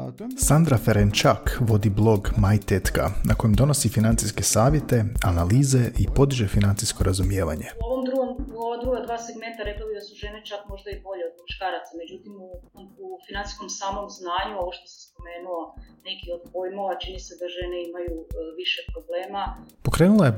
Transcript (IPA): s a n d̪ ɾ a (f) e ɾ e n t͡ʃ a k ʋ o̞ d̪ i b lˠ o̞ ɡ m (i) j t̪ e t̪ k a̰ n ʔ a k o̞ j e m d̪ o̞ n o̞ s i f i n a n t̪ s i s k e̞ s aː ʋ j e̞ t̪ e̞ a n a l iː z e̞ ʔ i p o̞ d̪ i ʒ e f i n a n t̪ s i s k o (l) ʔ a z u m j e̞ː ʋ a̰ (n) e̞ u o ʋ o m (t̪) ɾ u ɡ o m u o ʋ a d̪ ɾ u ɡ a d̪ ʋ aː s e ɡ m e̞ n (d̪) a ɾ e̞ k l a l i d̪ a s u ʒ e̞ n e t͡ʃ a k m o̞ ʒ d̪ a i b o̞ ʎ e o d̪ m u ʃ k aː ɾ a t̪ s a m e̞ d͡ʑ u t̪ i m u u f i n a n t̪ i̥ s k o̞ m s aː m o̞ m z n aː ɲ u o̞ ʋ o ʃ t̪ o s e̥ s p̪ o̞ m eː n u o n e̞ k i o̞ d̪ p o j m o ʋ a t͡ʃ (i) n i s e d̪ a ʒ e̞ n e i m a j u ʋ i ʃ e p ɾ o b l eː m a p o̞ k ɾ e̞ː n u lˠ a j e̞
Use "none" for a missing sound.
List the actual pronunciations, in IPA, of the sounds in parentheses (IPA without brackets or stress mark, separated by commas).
f, a, ɾ, ɲ, d̪, t̪, i